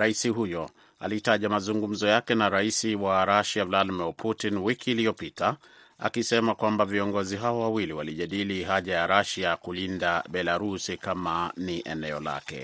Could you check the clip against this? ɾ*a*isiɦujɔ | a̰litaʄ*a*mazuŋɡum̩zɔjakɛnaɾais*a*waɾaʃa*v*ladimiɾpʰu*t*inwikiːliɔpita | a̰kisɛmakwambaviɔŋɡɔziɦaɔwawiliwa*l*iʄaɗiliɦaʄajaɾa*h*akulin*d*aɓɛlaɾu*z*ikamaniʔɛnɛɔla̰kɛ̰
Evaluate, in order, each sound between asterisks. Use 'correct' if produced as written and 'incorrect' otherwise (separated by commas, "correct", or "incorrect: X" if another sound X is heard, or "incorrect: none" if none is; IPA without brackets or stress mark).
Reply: correct, correct, incorrect: i, correct, correct, correct, incorrect: ʃ, correct, incorrect: s